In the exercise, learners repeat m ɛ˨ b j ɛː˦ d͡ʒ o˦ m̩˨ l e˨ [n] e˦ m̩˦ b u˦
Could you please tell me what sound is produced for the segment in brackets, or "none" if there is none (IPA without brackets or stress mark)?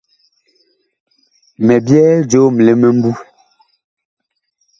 m